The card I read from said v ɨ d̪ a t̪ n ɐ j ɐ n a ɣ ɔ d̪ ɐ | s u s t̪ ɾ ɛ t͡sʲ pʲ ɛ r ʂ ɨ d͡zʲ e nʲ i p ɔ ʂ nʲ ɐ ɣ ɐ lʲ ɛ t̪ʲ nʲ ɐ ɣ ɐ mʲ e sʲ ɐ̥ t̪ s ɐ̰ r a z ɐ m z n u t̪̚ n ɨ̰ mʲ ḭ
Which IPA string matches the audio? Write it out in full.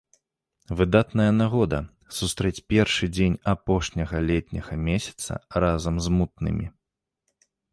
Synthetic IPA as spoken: v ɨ d̪ a t̪ n ɐ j ɐ n a ɣ ɔ d̪ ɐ | s u s t̪ ɾ ɛ t͡sʲ pʲ ɛ r ʂ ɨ d͡zʲ e nʲ a p ɔ ʂ nʲ ɐ ɣ ɐ lʲ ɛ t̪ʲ nʲ ɐ ɣ ɐ mʲ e sʲ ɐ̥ t̪ s ɐ̰ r a z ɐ m z m u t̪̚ n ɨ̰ mʲ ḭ